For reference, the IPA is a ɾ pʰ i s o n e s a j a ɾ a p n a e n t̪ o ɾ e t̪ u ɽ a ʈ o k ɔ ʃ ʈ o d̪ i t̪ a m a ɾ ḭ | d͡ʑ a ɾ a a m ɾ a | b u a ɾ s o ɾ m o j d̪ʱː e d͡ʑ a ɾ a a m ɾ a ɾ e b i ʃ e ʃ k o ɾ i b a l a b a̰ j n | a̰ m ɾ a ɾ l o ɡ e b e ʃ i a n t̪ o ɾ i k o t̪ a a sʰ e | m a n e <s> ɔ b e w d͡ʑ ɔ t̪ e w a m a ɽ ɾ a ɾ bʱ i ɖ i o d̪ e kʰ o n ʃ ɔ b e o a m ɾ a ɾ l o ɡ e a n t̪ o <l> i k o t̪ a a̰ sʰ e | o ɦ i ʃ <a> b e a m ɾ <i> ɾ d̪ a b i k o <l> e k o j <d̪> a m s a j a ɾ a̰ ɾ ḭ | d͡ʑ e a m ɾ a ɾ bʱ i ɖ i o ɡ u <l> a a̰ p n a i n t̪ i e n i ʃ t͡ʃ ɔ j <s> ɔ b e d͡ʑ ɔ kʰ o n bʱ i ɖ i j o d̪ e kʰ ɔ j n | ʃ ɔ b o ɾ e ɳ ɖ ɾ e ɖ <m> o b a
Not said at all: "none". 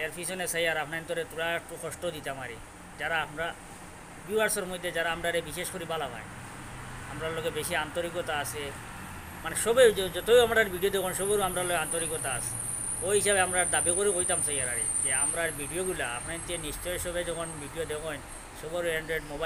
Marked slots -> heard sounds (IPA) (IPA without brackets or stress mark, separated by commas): ʃ, ɾ, a, a, ɾ, t̪, l, ʃ, m